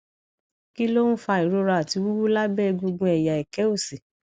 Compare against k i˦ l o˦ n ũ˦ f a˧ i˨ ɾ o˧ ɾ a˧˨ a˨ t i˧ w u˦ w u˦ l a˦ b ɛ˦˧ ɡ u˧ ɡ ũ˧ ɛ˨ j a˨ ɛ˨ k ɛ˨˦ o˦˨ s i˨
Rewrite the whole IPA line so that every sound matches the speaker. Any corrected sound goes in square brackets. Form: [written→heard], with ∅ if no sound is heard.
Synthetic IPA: k i˦ l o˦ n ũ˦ f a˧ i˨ ɾ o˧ ɾ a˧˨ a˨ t i˧ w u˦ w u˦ l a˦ b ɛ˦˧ ɡ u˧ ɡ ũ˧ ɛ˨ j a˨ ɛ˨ k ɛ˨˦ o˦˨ s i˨